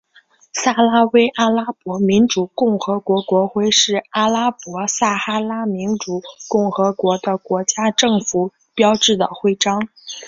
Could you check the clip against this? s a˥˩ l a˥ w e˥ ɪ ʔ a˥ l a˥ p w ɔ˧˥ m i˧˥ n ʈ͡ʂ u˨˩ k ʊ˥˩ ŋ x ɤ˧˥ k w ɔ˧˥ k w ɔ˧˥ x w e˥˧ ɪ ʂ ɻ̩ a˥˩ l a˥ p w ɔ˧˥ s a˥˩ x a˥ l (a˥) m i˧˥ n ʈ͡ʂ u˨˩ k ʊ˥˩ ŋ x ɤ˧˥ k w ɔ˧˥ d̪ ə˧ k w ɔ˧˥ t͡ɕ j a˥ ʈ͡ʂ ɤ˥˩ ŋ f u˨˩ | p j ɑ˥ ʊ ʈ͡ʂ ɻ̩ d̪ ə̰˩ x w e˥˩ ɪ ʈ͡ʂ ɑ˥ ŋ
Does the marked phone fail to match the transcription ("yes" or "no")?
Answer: no